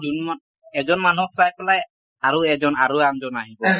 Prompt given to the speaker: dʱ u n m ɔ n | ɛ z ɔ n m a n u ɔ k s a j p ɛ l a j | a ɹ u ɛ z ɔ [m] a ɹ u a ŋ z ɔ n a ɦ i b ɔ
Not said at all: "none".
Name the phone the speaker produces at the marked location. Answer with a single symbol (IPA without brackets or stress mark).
n